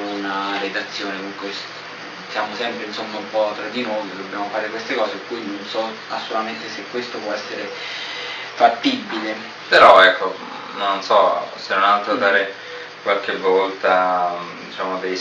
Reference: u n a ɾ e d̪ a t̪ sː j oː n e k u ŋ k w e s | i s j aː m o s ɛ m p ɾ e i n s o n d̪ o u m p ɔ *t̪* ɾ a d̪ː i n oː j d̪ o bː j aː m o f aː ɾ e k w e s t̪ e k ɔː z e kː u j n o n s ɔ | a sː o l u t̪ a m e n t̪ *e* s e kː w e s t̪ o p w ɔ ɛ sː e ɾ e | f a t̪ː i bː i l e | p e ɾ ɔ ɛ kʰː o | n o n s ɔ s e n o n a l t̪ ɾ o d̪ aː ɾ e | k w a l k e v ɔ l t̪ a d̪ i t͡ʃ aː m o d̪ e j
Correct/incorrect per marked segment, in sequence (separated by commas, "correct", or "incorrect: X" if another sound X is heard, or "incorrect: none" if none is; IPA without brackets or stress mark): correct, correct